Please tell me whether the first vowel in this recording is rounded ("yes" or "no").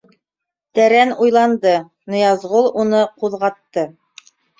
no